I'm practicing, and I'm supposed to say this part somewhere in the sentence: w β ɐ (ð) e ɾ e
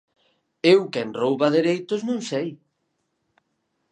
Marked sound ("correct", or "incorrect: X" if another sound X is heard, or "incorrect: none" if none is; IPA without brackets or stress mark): correct